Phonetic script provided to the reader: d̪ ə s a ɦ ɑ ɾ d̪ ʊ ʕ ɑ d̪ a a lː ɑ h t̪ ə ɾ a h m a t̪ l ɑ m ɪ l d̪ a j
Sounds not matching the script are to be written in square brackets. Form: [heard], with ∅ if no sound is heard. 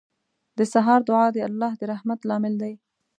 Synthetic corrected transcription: d̪ ə s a ɦ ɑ ɾ d̪ ʊ ʕ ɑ d̪ [ə] a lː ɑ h [d̪] ə ɾ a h m a t̪ l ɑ m ɪ l d̪ a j